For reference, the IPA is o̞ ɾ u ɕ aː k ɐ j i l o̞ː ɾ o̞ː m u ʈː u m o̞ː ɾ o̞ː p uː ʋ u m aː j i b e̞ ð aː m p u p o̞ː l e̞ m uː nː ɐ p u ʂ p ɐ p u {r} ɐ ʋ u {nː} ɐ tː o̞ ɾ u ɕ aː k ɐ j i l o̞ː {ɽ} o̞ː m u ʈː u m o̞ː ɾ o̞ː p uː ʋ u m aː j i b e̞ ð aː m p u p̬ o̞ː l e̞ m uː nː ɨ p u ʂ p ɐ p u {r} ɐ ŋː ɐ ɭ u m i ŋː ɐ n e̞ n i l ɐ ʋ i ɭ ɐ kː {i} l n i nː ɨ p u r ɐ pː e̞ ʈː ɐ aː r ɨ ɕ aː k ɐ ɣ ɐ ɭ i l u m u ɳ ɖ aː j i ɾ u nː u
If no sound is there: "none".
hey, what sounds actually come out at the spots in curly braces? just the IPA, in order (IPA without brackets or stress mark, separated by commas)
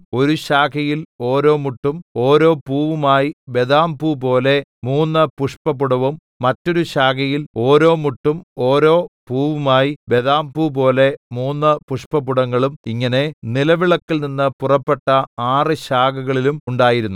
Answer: ɽ, mː, ɾ, ɽ, i